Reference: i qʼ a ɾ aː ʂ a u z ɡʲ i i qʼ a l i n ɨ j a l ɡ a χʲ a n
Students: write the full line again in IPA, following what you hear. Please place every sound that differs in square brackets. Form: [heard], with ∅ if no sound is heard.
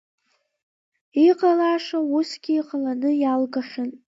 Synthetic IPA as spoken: i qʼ a [l] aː ʂ a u [s] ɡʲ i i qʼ a l [a] n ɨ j a l ɡ a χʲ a n